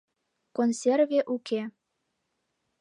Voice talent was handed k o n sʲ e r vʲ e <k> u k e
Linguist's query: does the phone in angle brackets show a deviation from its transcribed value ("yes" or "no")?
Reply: yes